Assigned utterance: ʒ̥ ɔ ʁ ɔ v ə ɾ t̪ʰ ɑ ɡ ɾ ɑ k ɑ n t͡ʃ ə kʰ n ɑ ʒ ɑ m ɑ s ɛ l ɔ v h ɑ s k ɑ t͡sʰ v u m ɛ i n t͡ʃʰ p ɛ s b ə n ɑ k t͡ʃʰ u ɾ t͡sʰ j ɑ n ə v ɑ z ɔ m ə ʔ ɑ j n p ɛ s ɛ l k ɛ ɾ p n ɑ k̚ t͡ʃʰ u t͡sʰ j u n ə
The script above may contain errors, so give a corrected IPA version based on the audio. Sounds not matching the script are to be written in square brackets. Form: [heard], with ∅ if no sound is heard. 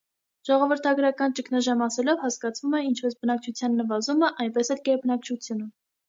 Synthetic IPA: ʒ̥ ɔ ʁ ɔ v ə ɾ t̪ʰ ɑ ɡ ɾ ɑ k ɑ n t͡ʃ ə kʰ n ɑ ʒ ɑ m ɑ s ɛ l ɔ v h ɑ s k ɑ t͡sʰ v u m ɛ i n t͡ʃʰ p ɛ s b ə n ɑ k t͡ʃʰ u [∅] t͡sʰ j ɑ [nː] ə v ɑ z [u] m ə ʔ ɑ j n p ɛ s ɛ l k ɛ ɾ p n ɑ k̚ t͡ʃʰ u t͡sʰ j u n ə